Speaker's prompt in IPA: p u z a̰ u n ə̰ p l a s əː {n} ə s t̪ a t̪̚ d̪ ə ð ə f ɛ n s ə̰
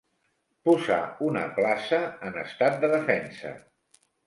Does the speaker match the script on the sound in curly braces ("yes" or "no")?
yes